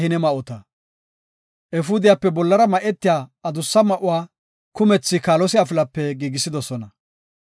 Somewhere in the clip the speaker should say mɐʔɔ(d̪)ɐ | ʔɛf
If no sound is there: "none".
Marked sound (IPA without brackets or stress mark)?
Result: t̪